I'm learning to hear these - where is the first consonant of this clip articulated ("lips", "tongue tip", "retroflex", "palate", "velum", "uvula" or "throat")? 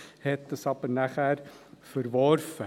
throat